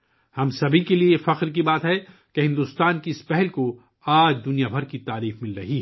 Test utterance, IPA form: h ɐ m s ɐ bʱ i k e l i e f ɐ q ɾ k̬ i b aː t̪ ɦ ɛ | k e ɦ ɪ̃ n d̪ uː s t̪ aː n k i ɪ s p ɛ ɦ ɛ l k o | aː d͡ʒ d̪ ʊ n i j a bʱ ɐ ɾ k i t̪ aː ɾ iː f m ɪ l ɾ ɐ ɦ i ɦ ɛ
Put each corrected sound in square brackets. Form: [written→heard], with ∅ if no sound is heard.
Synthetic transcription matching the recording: h ɐ m s ɐ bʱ i k e l i e f ɐ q ɾ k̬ i b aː t̪ ɦ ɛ | k e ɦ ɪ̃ n d̪ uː s t̪ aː n k i ɪ s p ɛ ɦ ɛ l k o | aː d͡ʒ d̪ ʊ n i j a bʱ ɐ ɾ k i t̪ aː ɾ iː f m ɪ l ɾ ɐ ɦ i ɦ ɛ